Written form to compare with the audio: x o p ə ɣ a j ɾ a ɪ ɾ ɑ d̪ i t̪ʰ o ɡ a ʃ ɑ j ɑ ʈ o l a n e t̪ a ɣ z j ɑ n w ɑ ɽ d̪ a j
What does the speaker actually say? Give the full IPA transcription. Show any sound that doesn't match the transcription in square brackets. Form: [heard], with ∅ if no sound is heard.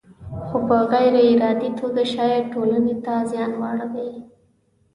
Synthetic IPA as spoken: x o p ə ɣ a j ɾ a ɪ ɾ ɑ d̪ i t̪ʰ o ɡ a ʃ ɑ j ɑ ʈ o l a n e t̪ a [∅] z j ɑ n w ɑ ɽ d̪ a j